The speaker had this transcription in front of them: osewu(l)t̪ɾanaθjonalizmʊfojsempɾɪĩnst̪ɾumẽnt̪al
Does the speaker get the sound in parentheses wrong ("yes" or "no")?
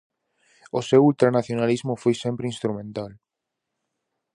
no